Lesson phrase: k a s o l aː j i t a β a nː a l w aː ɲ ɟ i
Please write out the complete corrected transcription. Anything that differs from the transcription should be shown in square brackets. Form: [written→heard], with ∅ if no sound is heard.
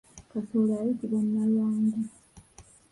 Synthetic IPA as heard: k a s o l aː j i t [a→i] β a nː a l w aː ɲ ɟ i